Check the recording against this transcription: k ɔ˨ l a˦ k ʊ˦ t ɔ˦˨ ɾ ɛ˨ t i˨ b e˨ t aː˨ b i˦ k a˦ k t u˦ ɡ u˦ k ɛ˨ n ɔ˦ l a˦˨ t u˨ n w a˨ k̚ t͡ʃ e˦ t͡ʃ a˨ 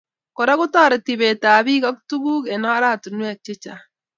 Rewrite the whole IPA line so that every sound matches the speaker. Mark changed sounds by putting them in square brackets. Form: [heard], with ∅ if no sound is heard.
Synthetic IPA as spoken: k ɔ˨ [ɾ] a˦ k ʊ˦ t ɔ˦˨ ɾ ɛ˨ t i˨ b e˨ t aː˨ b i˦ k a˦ k t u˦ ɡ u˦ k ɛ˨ n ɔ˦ [ɾ] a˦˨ t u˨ n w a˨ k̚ t͡ʃ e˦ t͡ʃ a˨